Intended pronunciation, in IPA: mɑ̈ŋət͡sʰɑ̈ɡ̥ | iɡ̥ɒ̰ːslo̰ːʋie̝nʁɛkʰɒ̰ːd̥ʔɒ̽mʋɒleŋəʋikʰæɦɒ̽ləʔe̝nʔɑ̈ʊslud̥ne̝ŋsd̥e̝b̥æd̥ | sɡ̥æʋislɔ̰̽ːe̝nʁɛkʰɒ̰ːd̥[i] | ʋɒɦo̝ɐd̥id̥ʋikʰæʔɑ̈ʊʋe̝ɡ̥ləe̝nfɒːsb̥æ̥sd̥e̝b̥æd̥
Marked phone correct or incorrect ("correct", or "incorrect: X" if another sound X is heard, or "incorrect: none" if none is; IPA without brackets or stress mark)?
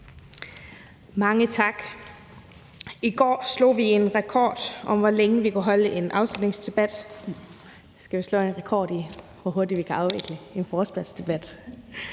correct